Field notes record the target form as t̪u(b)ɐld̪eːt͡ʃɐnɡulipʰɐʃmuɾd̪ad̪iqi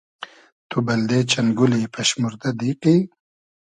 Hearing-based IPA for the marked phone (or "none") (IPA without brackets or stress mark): b